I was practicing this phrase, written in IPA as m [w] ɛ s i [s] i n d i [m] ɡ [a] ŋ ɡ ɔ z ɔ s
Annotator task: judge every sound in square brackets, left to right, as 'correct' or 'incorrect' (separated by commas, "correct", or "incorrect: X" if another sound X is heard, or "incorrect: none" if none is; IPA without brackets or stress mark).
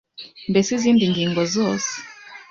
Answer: incorrect: b, incorrect: z, incorrect: ŋ, incorrect: i